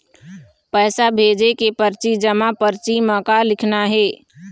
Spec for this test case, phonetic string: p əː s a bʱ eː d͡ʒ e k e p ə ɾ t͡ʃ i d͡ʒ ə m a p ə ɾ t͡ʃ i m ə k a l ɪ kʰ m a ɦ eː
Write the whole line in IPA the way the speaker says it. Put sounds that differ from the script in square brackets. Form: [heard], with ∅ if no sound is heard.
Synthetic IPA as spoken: p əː s a bʱ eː d͡ʒ e k e p ə ɾ t͡ʃ i d͡ʒ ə m a p ə ɾ t͡ʃ i m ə k a l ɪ kʰ [n] a ɦ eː